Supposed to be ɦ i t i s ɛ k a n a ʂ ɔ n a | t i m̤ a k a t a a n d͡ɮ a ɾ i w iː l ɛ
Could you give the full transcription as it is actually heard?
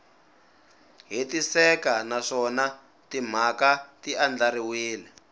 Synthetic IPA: ɦ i t i s ɛ k a n a ʂ ɔ n a | t i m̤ a k a t i a n d͡ɮ a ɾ i w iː l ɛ